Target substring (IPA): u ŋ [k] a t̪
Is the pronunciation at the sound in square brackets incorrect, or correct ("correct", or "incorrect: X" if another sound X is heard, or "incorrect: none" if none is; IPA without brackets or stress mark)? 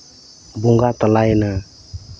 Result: incorrect: ɡ